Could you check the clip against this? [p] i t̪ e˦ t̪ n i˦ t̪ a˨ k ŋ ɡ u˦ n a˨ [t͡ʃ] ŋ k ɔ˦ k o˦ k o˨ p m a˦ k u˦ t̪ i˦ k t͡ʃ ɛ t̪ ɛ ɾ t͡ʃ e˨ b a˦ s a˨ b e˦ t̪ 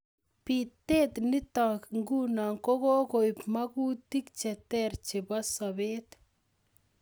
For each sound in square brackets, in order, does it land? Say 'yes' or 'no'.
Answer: yes, no

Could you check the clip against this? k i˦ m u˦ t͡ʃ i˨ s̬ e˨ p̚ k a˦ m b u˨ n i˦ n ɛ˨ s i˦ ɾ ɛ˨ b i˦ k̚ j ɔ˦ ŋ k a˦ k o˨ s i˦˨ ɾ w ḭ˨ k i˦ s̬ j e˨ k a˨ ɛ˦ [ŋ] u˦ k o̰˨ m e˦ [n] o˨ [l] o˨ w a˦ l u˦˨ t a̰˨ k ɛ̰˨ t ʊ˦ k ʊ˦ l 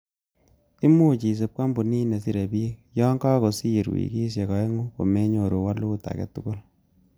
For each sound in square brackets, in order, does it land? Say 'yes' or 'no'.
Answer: yes, no, no

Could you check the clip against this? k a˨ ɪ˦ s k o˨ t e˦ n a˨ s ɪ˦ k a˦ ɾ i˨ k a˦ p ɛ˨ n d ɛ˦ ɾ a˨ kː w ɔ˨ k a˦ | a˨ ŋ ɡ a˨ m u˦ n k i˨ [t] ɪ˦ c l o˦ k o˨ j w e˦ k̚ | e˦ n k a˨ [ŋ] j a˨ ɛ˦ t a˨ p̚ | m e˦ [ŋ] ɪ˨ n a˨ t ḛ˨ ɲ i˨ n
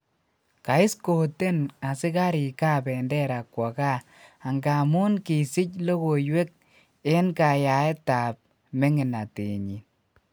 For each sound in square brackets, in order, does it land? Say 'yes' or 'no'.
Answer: no, no, yes

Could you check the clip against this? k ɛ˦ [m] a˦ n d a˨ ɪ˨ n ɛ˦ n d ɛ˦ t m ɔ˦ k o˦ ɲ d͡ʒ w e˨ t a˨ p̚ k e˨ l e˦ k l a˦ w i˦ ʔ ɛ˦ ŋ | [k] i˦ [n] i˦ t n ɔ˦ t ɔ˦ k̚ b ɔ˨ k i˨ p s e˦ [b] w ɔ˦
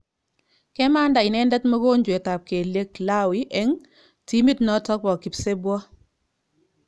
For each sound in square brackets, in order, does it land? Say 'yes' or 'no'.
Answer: yes, no, no, yes

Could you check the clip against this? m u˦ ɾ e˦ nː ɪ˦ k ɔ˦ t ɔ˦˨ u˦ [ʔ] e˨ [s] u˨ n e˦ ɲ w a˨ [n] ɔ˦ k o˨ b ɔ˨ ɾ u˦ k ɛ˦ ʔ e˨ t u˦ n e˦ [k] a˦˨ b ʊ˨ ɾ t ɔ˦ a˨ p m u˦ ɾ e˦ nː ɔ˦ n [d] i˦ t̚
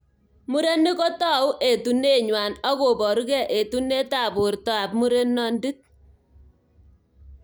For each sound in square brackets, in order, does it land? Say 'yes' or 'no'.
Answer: yes, no, yes, no, yes

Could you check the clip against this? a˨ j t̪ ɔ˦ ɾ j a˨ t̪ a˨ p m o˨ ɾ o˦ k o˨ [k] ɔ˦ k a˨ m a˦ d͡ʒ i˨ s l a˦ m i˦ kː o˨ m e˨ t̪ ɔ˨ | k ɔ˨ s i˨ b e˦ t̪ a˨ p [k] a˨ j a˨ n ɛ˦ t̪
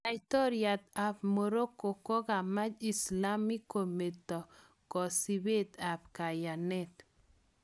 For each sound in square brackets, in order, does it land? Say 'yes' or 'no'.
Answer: yes, yes

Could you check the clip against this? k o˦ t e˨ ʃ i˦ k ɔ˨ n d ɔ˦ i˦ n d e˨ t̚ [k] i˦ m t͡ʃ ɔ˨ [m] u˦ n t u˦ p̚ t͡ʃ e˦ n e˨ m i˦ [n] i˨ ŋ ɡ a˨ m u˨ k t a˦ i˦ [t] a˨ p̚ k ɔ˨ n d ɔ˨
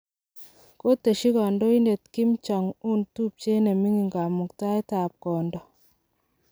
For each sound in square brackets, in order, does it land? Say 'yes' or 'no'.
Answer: yes, no, no, yes

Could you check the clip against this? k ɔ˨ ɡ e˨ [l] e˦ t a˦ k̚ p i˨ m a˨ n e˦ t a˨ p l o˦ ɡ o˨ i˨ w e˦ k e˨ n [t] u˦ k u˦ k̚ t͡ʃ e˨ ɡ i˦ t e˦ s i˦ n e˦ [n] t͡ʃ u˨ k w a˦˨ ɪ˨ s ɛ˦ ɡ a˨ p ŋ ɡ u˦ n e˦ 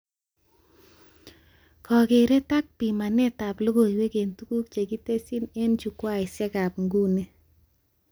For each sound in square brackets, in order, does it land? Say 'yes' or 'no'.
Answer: no, yes, yes

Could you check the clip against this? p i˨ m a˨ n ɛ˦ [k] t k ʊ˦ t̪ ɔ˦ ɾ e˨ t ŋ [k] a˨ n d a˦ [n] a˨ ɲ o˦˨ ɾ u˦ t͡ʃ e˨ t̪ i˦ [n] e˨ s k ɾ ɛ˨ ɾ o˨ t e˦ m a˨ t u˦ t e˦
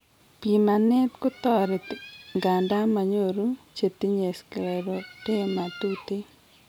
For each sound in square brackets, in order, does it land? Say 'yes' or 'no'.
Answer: no, no, no, no

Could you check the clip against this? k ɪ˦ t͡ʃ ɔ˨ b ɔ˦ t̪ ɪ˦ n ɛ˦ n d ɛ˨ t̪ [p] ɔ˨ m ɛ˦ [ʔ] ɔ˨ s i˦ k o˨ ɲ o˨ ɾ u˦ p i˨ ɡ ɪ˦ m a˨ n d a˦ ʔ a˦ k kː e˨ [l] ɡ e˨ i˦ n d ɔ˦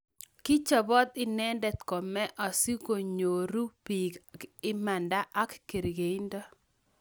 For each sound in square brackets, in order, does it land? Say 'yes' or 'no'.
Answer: no, yes, no

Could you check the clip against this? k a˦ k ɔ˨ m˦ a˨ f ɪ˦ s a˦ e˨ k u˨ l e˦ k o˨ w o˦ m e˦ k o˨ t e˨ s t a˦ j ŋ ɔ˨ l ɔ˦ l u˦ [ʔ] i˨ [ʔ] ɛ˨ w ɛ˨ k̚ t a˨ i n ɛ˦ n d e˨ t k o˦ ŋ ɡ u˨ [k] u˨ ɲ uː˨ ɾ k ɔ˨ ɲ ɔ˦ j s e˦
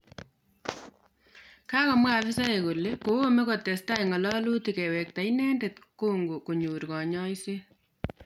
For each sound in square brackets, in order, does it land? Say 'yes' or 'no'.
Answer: no, no, yes

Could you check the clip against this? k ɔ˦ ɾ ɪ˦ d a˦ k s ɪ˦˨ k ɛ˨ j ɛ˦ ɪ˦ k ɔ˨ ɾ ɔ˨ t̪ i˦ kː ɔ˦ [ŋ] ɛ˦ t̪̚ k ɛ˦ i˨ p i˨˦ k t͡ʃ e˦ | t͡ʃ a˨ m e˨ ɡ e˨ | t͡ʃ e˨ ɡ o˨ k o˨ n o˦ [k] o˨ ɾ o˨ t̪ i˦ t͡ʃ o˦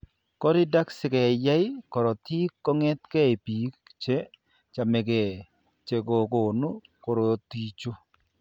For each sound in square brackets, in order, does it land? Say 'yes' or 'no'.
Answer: yes, yes

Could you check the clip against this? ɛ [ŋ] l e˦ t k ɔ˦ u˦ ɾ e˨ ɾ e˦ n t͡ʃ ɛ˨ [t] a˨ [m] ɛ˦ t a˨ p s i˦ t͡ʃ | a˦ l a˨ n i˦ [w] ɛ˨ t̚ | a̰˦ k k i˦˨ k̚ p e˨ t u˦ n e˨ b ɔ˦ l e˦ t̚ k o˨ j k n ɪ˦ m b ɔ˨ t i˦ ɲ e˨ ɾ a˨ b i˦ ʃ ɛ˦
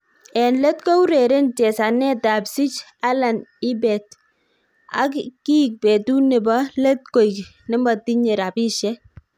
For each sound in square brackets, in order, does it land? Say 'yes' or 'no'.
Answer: no, no, no, no

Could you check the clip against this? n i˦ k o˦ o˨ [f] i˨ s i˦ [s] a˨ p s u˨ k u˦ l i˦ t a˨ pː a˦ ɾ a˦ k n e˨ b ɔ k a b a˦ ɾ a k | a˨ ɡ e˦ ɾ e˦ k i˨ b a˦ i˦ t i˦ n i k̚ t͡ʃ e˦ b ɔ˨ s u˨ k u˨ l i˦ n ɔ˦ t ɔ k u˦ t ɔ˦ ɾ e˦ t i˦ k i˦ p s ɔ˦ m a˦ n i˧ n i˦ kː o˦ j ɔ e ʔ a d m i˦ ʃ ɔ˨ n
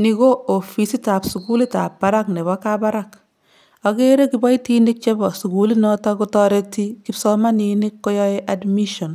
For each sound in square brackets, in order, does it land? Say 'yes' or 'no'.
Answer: yes, no

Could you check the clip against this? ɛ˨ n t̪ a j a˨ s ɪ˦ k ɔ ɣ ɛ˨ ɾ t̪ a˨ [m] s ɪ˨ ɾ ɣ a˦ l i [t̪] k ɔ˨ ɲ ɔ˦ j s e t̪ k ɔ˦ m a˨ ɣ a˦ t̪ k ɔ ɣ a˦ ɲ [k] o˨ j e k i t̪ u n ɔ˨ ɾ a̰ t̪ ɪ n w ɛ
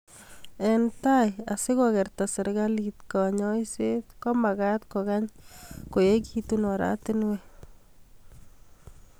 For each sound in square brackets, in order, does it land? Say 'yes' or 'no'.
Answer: no, yes, yes

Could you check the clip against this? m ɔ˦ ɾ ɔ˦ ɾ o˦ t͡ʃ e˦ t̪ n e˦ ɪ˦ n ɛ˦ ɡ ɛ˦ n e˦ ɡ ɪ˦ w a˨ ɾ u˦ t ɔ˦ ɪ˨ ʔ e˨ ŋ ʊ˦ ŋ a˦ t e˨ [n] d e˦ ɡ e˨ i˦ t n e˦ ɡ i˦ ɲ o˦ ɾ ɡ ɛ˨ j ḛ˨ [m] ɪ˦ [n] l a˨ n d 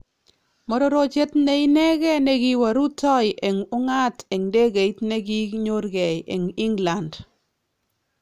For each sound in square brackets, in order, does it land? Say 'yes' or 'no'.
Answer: no, no, no

